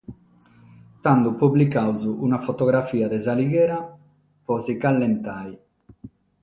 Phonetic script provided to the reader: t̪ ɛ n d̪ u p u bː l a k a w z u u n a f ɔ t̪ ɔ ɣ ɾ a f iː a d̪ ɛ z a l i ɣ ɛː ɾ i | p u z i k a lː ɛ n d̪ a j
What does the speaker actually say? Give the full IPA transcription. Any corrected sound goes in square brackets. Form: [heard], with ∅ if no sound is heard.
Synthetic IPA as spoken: t̪ [a] n d̪ u p u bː l [i] k a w z u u n a f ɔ t̪ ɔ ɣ ɾ a f iː a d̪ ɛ z a l i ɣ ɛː ɾ [a] | p [ɔ] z i k a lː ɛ n [t̪] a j